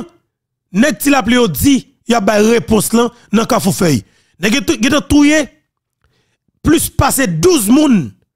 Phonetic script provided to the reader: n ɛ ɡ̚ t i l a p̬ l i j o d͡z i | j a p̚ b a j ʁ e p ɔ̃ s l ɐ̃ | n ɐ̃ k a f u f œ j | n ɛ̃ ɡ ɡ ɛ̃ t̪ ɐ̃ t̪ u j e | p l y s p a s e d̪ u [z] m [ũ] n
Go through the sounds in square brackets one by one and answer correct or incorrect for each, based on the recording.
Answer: correct, correct

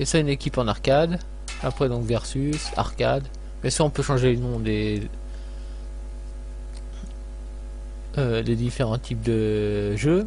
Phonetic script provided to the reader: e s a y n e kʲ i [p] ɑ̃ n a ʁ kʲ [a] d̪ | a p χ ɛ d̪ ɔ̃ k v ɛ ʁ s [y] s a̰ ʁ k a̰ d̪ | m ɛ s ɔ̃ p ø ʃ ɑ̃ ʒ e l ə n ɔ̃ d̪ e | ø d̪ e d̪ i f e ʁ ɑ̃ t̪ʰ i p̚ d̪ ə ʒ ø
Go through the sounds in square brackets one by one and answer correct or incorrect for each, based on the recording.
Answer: correct, correct, correct

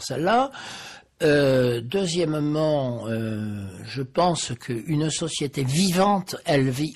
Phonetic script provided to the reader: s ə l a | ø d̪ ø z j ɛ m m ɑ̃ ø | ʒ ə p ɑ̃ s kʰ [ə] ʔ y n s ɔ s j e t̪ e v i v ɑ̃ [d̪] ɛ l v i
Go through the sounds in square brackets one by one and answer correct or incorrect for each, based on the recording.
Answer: correct, incorrect

